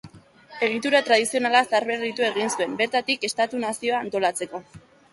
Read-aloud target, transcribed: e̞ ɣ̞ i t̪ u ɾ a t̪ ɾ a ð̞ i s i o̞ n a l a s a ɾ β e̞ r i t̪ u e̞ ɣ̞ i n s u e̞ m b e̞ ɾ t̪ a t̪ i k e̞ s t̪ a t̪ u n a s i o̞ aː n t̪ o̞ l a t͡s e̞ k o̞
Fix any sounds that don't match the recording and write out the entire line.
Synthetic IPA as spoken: e̞ ɣ̞ i t̪ u ɾ a t̪ ɾ a ð̞ i s i o̞ n a l a s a ɾ β e̞ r i t̪ u e̞ ɣ̞ i n s u e̞ m b e̞ ɾ t̪ a t̪ i k e̞ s t̪ a t̪ u n a s i o̞ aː n t̪ o̞ l a t͡s e̞ k o̞